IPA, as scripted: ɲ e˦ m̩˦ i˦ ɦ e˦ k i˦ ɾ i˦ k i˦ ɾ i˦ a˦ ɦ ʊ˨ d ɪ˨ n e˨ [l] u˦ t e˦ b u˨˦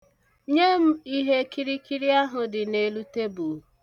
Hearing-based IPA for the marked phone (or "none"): l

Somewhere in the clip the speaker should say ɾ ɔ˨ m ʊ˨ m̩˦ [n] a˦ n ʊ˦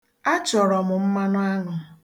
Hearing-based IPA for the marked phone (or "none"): m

